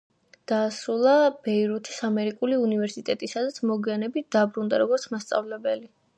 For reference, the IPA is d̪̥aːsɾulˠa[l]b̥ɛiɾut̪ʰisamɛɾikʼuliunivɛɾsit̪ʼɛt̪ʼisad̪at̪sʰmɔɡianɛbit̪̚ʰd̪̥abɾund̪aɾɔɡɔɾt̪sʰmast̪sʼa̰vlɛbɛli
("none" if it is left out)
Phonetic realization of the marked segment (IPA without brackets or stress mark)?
none